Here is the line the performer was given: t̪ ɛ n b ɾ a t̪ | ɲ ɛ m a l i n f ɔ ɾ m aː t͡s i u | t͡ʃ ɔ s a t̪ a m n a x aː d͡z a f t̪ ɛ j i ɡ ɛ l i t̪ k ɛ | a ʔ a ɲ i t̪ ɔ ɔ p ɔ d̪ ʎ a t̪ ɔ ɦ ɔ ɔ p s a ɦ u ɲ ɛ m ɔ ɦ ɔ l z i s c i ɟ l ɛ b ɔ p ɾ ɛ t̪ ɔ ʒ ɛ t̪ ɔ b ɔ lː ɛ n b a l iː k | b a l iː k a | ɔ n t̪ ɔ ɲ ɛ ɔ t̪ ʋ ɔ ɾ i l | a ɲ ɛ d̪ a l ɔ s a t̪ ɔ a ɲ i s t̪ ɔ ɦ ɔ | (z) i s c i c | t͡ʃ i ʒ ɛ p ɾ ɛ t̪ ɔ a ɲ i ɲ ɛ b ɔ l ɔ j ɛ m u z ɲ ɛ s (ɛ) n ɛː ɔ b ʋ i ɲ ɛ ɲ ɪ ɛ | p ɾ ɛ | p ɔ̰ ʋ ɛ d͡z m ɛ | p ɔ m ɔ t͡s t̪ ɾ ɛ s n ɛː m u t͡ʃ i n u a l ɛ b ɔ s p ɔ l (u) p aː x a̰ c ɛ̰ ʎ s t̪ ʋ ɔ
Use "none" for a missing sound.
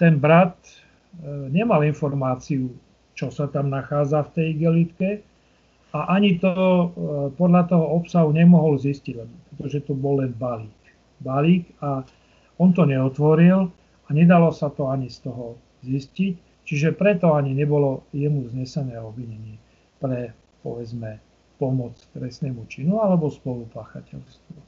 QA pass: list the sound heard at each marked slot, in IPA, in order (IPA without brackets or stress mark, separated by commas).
z, ɛ, u